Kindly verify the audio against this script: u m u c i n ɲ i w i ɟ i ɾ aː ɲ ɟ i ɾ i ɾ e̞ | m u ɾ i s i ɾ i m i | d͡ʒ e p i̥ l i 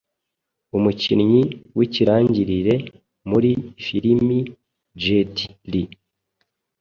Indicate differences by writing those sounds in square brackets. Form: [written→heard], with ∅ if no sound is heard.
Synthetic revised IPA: u m u c i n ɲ i w i [ɟ→c] i ɾ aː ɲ ɟ i ɾ i ɾ e̞ | m u ɾ i [s→f] i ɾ i m i | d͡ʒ e [p→t] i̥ l i